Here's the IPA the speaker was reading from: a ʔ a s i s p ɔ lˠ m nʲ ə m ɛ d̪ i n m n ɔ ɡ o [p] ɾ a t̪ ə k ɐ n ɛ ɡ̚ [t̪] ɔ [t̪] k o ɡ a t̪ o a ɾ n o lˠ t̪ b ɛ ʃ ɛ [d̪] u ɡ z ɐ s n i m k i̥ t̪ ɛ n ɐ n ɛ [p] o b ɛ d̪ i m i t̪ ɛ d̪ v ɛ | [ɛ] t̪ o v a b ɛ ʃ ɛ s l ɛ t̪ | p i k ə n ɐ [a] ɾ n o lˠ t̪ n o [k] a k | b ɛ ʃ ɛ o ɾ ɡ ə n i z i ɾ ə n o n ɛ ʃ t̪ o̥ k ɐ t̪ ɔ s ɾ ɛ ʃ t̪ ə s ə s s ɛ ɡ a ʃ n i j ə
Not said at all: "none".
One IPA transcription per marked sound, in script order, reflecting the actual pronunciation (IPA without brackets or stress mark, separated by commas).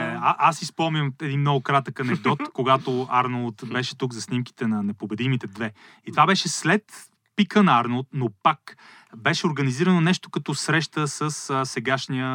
k, d̪, t̪, t̪, p, i, a, p